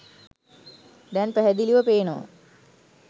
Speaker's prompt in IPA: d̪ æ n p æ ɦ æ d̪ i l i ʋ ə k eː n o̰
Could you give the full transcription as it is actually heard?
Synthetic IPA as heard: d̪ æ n p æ ɦ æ d̪ i l i ʋ ə p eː n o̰